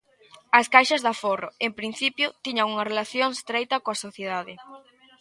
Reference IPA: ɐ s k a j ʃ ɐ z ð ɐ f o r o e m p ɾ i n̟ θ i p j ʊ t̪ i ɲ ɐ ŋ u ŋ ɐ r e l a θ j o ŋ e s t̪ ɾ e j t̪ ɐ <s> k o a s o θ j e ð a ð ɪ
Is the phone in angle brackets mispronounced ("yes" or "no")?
yes